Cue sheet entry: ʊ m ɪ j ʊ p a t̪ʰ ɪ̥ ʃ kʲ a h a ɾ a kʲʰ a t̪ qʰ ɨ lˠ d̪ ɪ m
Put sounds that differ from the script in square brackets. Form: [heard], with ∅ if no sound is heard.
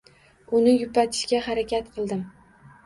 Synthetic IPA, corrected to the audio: ʊ [n] ɪ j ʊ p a t̪ʰ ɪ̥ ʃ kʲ a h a ɾ a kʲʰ a t̪ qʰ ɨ lˠ d̪ ɪ m

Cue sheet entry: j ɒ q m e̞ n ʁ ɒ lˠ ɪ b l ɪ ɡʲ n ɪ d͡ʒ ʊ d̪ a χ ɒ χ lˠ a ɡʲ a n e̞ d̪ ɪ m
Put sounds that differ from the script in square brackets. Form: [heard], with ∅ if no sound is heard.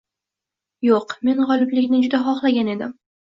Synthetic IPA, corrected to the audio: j [o] q m e̞ n ʁ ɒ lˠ ɪ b l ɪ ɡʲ n ɪ d͡ʒ ʊ d̪ a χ ɒ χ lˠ a ɡʲ a n e̞ d̪ ɪ m

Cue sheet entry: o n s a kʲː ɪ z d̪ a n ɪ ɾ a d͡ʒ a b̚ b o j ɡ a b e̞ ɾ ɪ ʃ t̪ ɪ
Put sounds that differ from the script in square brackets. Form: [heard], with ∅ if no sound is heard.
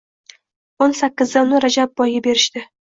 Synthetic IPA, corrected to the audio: o n s a kʲː ɪ z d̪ a n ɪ ɾ a d͡ʒ a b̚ b [ɒ] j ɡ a b e̞ ɾ ɪ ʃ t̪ ɪ

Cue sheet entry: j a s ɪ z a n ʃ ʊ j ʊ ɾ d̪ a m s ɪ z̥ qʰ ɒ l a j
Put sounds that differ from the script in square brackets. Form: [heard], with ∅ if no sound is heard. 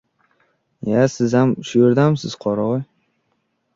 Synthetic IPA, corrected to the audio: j a s ɪ z a [m] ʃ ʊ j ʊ ɾ d̪ a m s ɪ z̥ qʰ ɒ [ɾ] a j

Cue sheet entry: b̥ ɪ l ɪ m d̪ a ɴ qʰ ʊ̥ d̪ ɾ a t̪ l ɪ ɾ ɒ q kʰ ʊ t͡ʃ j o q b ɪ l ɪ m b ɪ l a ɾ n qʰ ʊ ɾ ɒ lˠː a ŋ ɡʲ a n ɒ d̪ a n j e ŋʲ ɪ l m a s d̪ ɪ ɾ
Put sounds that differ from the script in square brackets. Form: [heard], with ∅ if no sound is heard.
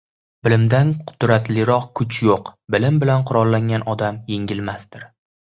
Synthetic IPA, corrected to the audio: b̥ ɪ l ɪ m d̪ a [n] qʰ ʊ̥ d̪ ɾ a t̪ l ɪ ɾ ɒ q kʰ ʊ t͡ʃ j o q b ɪ l ɪ m b ɪ l a [∅] n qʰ ʊ ɾ ɒ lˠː a ŋ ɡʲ a n ɒ d̪ a [m] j e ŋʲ ɪ l m a s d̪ ɪ ɾ

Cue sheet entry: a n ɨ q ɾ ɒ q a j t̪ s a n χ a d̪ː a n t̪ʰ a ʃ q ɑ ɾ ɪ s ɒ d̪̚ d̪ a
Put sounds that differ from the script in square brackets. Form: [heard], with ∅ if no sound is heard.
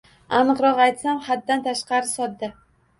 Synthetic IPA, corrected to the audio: a n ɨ q ɾ ɒ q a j t̪ s a [m] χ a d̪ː a n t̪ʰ a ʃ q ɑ ɾ ɪ s ɒ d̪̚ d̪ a

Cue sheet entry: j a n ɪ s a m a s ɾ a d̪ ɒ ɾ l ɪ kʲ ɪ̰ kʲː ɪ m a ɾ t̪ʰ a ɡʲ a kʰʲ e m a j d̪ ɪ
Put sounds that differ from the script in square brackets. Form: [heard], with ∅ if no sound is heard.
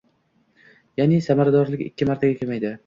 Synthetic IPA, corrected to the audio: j a n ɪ s a m a [∅] ɾ a d̪ ɒ ɾ l ɪ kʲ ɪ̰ kʲː ɪ m a ɾ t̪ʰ a ɡʲ a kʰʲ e m a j d̪ ɪ

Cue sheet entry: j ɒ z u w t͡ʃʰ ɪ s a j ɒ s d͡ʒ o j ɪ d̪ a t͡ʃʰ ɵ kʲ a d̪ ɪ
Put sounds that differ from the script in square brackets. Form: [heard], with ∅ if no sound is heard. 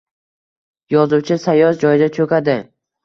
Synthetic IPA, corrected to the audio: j ɒ z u w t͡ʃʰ ɪ s a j ɒ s d͡ʒ [ɒ] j ɪ d̪ a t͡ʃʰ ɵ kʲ a d̪ ɪ

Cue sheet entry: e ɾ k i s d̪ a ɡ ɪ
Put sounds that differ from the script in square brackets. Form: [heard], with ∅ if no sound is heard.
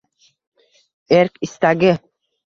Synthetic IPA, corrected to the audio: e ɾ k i s [t̪] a ɡ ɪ

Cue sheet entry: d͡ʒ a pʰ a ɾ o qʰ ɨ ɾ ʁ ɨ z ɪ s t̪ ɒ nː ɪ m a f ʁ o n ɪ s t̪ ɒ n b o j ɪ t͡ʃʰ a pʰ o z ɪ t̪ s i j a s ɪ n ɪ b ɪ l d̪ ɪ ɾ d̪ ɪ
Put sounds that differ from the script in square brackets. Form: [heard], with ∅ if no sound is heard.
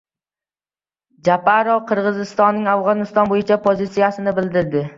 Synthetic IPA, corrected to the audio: d͡ʒ a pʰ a ɾ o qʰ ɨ ɾ ʁ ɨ z ɪ s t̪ ɒ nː ɪ [ŋ] a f ʁ [ɒ] n ɪ s t̪ ɒ n b o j ɪ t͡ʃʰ a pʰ o z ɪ t̪ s i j a s ɪ n ɪ b ɪ l d̪ ɪ ɾ d̪ ɪ

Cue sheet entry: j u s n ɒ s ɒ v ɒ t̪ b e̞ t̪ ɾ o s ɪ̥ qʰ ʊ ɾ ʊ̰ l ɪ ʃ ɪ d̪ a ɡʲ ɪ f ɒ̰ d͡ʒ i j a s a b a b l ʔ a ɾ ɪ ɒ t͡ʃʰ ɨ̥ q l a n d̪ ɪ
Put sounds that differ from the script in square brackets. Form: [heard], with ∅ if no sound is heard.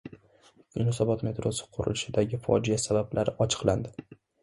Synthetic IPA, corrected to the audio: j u [∅] n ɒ s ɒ [b] ɒ t̪ [m] e̞ t̪ ɾ o s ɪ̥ qʰ ʊ ɾ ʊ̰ l ɪ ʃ ɪ d̪ a ɡʲ ɪ f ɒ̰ d͡ʒ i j a s a b a b l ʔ a ɾ ɪ ɒ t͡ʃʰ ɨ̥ q l a n d̪ ɪ

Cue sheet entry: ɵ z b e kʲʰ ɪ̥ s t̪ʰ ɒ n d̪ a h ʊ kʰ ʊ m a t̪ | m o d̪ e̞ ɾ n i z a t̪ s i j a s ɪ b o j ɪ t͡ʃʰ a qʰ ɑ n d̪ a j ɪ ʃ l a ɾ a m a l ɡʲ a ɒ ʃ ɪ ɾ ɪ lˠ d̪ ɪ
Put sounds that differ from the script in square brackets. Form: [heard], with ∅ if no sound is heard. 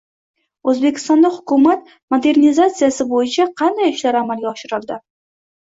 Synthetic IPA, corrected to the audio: ɵ z b e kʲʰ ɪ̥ s [t̪] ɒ n d̪ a h ʊ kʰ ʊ m a t̪ | m o d̪ e̞ ɾ n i z a t̪ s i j a s ɪ b o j ɪ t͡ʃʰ a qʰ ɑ n d̪ a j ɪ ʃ l a ɾ a m a l ɡʲ a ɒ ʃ ɪ ɾ ɪ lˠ d̪ ɪ

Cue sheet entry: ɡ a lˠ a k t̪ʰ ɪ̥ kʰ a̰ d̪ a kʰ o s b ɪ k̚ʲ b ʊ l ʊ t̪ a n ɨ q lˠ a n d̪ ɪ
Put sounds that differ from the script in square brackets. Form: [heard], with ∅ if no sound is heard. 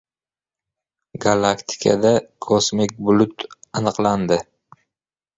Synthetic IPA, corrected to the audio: ɡ a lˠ a k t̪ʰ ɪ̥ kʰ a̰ d̪ a kʰ o s [m] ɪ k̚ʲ b ʊ l ʊ t̪ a n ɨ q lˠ a n d̪ ɪ

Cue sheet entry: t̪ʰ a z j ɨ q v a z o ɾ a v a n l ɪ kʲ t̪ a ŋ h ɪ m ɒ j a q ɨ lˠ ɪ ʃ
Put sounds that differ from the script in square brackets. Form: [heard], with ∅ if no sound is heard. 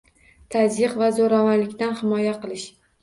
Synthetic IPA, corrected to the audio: t̪ʰ a z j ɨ q v a z o ɾ a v a n l ɪ kʲ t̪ a [n] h ɪ m ɒ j a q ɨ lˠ ɪ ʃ

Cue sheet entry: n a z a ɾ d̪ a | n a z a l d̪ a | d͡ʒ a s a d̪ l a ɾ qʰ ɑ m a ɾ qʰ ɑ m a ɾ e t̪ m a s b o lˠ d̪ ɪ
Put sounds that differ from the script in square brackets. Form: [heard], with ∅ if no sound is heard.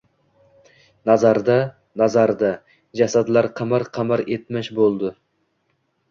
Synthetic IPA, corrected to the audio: n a z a ɾ d̪ a | n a z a [ɾ] d̪ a | d͡ʒ a s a d̪ l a ɾ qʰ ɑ m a ɾ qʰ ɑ m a ɾ e t̪ m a [ʃ] b o lˠ d̪ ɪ

